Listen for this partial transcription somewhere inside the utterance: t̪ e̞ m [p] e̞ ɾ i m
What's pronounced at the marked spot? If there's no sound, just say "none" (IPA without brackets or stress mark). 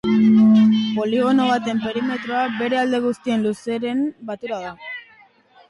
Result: p